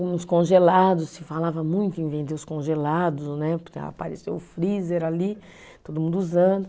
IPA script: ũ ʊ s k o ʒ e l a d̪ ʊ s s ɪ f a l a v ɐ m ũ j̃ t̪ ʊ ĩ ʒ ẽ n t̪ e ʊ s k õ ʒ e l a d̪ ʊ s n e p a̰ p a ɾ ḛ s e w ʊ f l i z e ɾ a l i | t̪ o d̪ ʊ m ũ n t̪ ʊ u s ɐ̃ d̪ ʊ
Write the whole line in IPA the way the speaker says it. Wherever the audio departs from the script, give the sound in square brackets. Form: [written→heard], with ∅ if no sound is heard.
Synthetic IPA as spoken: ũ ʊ s k [o→õ] ʒ e l a d̪ ʊ s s ɪ f a l a v ɐ m ũ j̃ t̪ ʊ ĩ [ʒ→v] ẽ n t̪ e ʊ s k õ ʒ e l a d̪ ʊ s n [e→ɛ] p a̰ p a ɾ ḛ s e w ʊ f [l→ɾ] i z e ɾ a l i | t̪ o d̪ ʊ m ũ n [t̪→d̪] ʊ u [s→z] ɐ̃ d̪ ʊ